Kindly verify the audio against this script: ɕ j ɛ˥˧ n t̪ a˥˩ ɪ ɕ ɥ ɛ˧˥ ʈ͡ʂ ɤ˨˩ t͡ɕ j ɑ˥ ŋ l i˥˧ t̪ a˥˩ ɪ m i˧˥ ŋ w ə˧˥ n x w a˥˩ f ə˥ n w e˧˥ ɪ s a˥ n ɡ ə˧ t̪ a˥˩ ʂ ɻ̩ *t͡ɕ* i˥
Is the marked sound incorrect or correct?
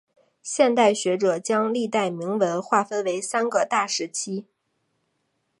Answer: incorrect